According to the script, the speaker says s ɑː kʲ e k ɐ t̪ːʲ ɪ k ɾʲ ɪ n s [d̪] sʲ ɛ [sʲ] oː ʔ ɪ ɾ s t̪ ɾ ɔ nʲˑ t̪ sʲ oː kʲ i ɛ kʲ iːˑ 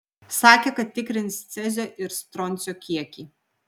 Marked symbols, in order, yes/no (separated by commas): no, no